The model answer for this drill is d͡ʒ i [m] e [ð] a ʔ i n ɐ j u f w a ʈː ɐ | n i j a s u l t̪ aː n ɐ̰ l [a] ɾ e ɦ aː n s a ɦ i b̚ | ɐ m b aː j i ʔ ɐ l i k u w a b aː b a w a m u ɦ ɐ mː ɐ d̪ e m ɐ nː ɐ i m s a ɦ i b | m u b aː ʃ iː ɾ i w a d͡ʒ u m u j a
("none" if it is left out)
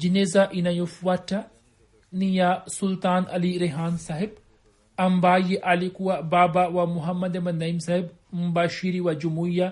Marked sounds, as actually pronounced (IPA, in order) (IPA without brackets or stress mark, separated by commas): n, z, i